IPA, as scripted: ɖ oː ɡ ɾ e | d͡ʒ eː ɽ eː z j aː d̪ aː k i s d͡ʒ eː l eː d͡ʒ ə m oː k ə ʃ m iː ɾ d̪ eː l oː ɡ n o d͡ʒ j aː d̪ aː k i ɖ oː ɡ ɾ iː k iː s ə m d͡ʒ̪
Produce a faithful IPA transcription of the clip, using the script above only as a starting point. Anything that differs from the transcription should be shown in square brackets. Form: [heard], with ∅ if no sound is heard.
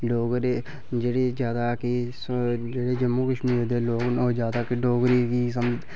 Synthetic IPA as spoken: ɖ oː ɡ ɾ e | d͡ʒ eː ɽ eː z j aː d̪ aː k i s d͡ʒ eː [ɽ] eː d͡ʒ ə m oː k ə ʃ m iː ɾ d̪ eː l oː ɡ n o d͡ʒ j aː d̪ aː k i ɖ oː ɡ ɾ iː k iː s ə m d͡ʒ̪